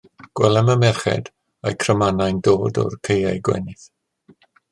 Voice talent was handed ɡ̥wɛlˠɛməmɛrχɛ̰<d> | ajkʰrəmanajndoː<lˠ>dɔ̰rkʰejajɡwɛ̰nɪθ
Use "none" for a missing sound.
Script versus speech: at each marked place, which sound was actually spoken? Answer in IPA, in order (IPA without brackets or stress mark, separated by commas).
d, none